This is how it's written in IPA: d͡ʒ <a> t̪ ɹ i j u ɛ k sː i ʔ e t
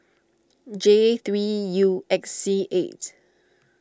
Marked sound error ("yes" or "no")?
yes